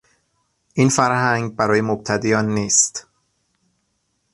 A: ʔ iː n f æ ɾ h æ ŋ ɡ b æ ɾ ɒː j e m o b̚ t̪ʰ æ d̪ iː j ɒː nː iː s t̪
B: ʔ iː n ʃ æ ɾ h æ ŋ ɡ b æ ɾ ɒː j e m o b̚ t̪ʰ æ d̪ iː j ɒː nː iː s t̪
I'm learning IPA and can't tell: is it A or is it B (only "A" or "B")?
A